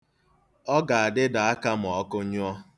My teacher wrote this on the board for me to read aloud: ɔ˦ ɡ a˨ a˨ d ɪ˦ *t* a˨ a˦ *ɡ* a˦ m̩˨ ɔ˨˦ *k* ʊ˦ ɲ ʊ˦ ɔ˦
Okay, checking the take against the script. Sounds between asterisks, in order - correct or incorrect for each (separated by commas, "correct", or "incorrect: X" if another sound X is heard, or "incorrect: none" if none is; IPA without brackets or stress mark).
incorrect: d, incorrect: k, correct